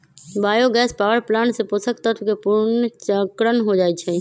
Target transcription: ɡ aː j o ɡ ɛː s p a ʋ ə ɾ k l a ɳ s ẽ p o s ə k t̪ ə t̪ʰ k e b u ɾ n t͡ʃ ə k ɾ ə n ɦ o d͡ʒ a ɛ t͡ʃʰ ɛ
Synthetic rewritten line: b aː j o ɡ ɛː s p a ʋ ə ɾ p l a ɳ s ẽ p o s ə k t̪ ə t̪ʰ k e p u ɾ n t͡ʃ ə k ɾ ə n ɦ o d͡ʒ a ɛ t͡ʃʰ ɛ